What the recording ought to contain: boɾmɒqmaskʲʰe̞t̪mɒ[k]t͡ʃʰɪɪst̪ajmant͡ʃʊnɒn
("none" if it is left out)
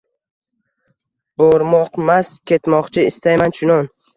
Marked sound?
q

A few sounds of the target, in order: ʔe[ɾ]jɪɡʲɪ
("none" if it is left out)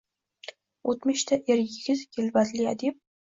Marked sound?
ɾ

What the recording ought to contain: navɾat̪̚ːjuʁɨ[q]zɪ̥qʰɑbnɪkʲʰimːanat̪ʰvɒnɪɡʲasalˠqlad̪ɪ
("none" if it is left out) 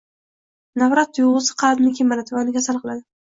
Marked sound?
none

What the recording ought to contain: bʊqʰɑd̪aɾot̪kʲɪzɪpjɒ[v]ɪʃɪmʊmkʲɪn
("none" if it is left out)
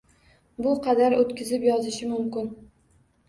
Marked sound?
z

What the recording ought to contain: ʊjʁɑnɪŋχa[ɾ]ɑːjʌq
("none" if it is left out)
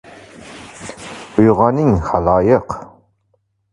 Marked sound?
l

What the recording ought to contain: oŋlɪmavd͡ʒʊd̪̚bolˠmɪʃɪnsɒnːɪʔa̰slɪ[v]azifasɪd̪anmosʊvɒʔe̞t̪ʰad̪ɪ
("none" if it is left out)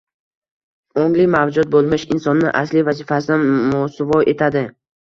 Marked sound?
v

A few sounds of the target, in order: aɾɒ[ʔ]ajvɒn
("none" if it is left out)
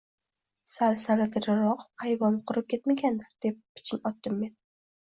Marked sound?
q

